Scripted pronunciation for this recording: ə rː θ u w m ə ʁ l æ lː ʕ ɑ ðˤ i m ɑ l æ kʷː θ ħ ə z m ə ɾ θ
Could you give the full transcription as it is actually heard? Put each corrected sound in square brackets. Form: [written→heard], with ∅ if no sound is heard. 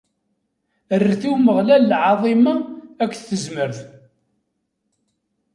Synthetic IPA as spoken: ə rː θ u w m ə ʁ l æ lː ʕ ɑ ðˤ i m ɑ [l→∅] æ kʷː θ [ħ→θ] ə z m ə ɾ θ